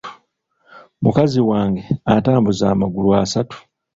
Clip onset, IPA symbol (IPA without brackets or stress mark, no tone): m